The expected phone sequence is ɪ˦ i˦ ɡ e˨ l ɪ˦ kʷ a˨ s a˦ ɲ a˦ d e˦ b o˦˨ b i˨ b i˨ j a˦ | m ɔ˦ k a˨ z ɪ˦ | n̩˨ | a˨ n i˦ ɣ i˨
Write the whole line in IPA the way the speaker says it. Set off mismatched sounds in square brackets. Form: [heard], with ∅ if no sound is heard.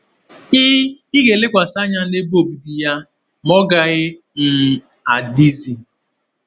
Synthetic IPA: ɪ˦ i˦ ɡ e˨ l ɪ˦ kʷ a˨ s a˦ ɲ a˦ [n] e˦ b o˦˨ b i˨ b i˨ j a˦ | m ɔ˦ [ɡ] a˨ [ɣ] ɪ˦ | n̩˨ | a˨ [d] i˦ [z] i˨